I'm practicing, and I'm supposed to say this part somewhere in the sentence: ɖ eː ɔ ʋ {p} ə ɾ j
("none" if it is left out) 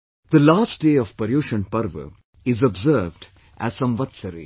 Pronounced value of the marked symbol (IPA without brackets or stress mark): p